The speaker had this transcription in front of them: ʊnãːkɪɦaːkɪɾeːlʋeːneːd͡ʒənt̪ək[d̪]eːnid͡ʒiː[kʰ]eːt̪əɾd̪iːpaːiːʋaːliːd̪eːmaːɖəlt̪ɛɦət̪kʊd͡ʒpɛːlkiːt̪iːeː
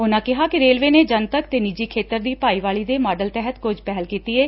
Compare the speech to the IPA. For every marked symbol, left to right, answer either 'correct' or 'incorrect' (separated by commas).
incorrect, correct